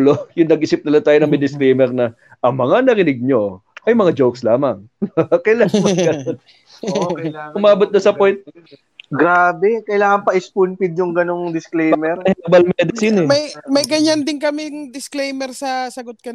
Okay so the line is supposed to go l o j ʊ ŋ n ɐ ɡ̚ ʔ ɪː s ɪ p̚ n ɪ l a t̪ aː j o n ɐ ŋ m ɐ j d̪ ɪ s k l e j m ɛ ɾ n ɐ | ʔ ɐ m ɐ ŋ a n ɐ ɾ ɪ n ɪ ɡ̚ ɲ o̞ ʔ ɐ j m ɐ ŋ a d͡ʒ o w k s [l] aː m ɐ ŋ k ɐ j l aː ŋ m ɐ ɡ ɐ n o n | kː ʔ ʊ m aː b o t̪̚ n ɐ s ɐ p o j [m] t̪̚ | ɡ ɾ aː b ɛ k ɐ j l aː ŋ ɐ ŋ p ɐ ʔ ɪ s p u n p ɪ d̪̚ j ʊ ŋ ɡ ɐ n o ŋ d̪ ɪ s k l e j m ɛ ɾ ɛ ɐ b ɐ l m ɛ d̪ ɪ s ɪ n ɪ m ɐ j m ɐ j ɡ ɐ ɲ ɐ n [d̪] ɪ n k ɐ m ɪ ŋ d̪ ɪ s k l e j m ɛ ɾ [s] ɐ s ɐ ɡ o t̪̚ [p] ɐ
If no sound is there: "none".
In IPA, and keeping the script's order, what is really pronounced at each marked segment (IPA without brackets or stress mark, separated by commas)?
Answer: l, n, d̪, s, k